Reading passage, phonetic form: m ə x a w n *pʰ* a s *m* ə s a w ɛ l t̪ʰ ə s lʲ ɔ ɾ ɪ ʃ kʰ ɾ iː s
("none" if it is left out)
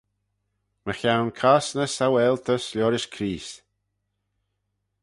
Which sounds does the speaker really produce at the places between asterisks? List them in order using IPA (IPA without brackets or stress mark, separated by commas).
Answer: kʰ, n